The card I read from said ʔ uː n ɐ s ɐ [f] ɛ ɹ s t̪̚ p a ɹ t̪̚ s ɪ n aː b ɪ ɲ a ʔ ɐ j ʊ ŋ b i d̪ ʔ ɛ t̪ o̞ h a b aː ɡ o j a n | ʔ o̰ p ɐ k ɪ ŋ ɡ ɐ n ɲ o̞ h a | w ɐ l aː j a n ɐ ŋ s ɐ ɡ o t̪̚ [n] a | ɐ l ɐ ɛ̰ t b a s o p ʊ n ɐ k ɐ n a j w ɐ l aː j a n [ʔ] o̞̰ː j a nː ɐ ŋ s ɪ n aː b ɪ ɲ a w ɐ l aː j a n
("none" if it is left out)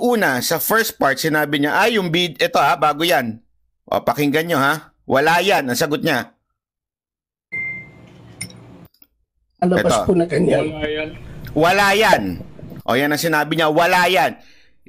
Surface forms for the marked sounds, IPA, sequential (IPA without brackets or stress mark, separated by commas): f, ɲ, ʔ